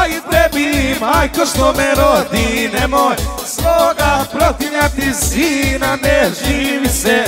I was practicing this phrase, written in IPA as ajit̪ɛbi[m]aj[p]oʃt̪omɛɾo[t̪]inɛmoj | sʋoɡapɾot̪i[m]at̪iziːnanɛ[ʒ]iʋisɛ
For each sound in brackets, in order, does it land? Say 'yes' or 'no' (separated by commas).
yes, no, no, no, yes